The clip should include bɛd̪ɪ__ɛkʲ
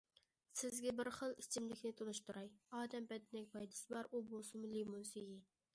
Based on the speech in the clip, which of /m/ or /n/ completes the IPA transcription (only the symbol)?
n